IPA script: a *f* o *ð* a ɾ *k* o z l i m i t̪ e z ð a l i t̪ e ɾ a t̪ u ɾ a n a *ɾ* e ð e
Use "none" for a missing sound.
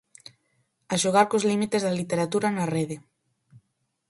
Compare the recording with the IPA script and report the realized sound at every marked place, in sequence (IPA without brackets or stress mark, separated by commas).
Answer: ʃ, ɣ, k, r